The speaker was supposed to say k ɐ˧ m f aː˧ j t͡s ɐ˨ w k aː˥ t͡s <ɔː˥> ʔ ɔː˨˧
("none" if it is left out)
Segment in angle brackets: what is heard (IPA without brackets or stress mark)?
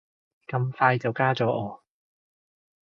ɔː˨˥